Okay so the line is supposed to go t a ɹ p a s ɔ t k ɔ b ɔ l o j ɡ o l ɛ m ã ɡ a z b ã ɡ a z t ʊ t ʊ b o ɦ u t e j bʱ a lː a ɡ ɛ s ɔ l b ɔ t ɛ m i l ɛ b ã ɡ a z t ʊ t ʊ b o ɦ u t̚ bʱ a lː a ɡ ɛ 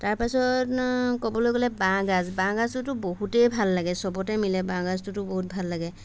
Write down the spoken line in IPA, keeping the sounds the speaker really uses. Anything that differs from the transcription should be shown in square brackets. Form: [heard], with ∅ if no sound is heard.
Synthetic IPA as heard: t a ɹ p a s ɔ t k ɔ b ɔ l o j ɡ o l ɛ [b] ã ɡ a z b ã ɡ a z t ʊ t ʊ b o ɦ u t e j bʱ a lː a ɡ ɛ s ɔ [∅] b ɔ t ɛ m i l ɛ b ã ɡ a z t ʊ t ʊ b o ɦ u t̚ bʱ a lː a ɡ ɛ